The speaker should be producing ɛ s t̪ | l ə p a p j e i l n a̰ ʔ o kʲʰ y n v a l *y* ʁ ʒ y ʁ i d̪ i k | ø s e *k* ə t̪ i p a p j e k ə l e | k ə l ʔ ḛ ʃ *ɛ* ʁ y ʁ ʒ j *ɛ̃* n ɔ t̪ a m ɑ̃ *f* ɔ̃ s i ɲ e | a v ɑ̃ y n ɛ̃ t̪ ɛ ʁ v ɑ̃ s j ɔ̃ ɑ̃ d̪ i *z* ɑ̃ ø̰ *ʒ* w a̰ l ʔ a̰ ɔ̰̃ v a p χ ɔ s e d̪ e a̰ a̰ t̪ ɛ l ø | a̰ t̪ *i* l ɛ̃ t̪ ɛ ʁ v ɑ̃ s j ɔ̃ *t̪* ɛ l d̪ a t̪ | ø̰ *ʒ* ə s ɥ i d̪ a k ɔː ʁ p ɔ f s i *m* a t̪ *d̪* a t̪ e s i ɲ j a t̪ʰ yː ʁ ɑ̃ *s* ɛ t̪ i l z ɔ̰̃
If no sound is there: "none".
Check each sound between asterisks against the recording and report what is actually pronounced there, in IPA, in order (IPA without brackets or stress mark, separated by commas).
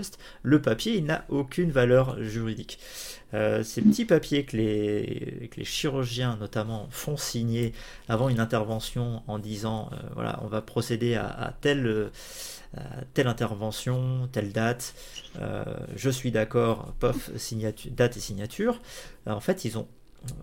œ, p, i, ɛ̃, f, z, v, ɛ, t̪, ʒ, ɲ, d̪, f